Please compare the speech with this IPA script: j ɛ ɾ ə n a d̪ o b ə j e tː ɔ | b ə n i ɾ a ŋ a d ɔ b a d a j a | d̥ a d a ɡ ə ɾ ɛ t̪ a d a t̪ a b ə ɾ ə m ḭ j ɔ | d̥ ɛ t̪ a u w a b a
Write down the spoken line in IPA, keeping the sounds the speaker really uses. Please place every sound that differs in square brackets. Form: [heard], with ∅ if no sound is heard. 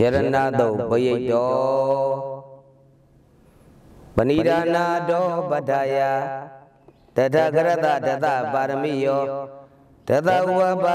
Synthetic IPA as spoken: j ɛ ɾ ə n a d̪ o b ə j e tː ɔ | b ə n i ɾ a [n] a d ɔ b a d a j a | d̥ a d a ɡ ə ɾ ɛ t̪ a d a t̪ a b [a] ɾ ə m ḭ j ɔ | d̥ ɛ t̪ a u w a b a